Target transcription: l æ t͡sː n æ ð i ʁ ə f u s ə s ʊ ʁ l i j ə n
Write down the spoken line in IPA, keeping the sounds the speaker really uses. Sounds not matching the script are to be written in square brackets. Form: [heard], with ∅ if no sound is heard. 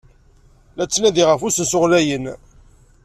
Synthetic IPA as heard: l æ t͡sː n æ ð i ʁ ə f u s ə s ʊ ʁ l [æ] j ə n